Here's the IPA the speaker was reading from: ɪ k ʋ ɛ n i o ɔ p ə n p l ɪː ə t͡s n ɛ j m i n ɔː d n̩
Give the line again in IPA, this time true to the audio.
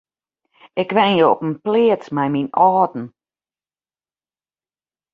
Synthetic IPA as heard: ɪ k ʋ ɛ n j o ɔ p ə n p l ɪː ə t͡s m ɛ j m i n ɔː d n̩